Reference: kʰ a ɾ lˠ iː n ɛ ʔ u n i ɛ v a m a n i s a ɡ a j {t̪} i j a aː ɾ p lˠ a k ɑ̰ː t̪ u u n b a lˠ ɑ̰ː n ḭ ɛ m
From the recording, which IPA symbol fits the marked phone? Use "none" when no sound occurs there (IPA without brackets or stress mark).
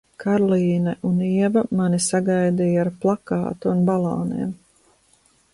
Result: d̪